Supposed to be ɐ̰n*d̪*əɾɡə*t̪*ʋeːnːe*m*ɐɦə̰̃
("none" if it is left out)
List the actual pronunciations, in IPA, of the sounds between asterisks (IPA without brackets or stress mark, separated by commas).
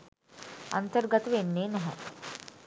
t̪, t̪, n